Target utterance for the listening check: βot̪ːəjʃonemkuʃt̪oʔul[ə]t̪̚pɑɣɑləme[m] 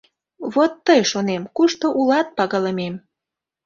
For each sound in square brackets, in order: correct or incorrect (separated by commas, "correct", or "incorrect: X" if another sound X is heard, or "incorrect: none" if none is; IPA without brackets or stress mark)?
incorrect: ɑ, correct